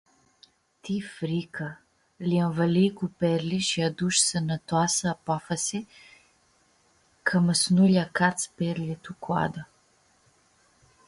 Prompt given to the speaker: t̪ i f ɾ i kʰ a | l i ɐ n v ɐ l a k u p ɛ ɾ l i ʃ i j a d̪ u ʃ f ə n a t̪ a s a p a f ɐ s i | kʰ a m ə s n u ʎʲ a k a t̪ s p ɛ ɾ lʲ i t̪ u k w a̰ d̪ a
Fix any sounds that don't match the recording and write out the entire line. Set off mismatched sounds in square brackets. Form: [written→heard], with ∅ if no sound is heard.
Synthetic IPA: t̪ i f ɾ i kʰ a | l i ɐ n v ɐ l [a→i] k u p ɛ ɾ l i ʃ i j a d̪ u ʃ [f→s] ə n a t̪ a s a p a f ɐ s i | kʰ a m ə s n u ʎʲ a k a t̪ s p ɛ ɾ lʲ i t̪ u k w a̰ d̪ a